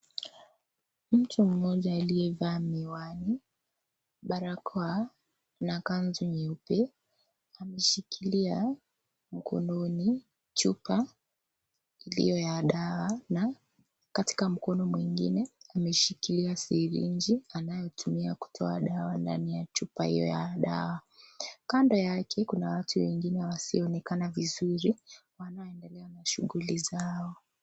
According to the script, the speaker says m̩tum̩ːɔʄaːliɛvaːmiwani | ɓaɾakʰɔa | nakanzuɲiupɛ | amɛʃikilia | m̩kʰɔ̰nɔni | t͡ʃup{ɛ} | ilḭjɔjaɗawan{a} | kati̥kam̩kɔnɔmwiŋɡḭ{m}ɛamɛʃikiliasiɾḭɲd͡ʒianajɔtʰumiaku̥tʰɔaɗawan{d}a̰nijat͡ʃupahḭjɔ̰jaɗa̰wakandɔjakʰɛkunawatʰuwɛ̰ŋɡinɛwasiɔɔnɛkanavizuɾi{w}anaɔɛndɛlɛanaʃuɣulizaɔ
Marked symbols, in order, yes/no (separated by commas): no, yes, no, yes, yes